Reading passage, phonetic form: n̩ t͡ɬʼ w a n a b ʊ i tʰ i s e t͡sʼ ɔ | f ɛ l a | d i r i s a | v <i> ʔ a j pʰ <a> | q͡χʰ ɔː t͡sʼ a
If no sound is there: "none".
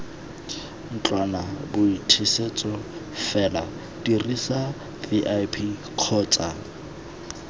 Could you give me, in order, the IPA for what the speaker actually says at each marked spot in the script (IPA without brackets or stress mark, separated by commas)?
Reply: i, i